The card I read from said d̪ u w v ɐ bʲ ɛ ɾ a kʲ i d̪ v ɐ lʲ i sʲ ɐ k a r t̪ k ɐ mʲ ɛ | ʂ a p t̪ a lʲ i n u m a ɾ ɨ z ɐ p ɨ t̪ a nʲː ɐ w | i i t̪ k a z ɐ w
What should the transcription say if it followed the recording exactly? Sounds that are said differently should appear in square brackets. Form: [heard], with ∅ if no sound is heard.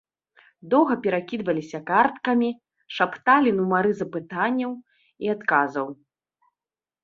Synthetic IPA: d̪ [ɔ] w [ɣ] ɐ [pʲ] ɛ ɾ a kʲ i d̪ v ɐ lʲ i sʲ ɐ k a r t̪ k ɐ mʲ [i] | ʂ a p t̪ a lʲ i n u m a ɾ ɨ z ɐ p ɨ t̪ a nʲː ɐ w | i [a] t̪ k a z ɐ w